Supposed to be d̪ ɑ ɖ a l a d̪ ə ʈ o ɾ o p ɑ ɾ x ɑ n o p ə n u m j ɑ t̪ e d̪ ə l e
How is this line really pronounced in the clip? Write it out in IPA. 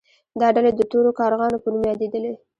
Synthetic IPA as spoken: d̪ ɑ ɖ a l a d̪ ə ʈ o ɾ o k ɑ ɾ ɣ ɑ n o p ə n u m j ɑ d̪ e d̪ ə l e